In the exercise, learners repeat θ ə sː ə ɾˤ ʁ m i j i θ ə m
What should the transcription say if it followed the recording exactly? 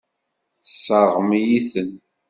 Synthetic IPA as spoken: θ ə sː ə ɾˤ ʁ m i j i θ ə n